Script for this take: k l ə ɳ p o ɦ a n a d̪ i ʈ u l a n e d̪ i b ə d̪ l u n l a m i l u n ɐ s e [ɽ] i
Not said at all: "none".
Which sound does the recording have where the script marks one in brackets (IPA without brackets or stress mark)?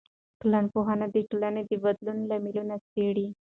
ɽ